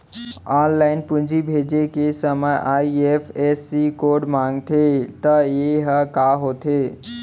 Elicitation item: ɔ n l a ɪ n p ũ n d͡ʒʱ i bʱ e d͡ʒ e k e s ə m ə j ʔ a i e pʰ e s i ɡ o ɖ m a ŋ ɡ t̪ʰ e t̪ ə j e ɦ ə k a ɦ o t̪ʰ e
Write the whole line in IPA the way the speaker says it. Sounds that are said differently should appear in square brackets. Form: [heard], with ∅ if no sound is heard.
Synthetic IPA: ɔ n l a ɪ n p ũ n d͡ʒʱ i bʱ e d͡ʒ e k e s ə m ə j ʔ a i e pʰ e s i [k] o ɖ m a ŋ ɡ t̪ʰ e t̪ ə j e ɦ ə k a ɦ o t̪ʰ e